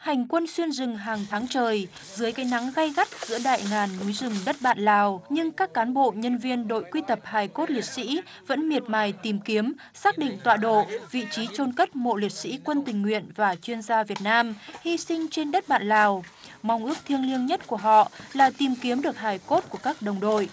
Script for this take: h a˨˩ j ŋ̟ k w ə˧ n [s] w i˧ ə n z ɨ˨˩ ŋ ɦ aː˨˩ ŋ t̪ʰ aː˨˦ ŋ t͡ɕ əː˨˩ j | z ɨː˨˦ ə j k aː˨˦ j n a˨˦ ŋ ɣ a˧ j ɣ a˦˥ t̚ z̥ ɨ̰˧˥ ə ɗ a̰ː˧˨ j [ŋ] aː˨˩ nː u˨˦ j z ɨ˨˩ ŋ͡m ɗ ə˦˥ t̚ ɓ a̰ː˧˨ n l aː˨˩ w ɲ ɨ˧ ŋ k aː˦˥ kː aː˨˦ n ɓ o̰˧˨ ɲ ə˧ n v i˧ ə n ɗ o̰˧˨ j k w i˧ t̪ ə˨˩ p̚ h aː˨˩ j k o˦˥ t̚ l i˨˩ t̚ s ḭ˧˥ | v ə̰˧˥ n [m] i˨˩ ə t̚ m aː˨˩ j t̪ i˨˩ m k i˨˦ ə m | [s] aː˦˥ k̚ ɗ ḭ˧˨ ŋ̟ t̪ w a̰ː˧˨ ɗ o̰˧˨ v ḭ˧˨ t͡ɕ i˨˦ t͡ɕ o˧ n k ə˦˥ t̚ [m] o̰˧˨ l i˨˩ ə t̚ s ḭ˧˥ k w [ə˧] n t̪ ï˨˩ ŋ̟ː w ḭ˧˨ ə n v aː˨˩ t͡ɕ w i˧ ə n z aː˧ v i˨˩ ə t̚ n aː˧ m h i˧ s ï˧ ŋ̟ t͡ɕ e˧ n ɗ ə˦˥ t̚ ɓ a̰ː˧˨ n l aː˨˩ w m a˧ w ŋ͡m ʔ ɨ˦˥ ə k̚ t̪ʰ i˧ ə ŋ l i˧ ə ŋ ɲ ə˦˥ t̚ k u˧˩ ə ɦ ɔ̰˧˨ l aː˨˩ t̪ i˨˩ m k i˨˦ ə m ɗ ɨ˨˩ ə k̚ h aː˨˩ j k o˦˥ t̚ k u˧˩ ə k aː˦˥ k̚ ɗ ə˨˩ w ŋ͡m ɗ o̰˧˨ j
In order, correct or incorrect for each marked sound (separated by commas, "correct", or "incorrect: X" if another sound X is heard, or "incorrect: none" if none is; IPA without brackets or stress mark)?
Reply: correct, correct, correct, correct, correct, correct